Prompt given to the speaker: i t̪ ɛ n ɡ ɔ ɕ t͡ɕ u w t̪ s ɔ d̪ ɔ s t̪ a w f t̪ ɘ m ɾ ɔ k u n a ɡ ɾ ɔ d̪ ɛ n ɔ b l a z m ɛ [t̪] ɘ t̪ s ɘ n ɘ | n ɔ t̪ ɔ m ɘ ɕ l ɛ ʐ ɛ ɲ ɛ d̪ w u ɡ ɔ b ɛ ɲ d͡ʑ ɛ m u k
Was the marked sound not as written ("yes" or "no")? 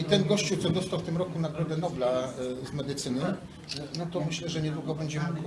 yes